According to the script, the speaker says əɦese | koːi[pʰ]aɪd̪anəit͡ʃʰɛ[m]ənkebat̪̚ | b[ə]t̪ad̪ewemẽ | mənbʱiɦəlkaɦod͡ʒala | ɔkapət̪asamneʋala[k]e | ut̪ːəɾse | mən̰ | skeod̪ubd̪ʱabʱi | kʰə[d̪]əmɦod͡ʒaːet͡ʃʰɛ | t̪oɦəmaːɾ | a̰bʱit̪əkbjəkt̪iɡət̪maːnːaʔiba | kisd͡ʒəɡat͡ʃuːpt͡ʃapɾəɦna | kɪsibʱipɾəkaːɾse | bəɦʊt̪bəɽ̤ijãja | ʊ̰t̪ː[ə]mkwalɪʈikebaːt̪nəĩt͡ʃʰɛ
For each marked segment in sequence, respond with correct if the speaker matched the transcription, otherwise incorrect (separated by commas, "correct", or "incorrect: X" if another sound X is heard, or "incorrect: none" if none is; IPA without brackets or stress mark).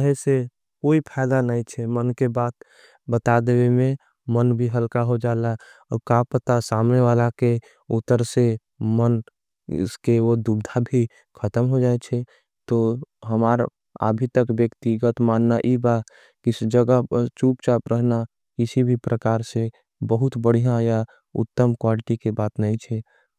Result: correct, correct, correct, correct, incorrect: t̪, correct